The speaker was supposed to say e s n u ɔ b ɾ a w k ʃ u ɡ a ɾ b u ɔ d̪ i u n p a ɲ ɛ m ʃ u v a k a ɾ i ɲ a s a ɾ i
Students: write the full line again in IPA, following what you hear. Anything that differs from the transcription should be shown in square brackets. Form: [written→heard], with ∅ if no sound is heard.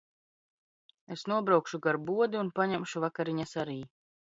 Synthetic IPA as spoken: e s n u ɔ b ɾ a w k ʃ u ɡ a ɾ b u ɔ d̪ i u n p a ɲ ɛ m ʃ u v a k a ɾ i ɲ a s a ɾ [i→iː]